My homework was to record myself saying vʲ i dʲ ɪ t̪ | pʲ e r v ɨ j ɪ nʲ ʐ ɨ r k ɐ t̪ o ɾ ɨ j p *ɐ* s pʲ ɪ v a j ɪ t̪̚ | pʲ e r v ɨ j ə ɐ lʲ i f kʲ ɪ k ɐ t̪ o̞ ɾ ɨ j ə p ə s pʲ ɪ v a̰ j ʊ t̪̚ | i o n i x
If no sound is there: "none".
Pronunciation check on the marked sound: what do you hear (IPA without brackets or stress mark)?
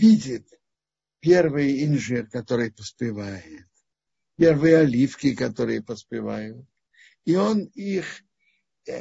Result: ə